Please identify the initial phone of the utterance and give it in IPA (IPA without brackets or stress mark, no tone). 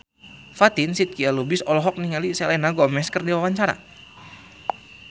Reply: f